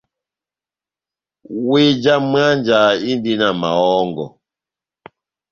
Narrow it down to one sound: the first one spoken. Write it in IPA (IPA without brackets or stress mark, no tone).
w